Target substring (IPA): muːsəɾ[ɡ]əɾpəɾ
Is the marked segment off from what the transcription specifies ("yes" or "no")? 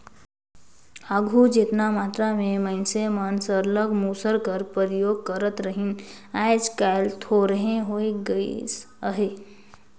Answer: yes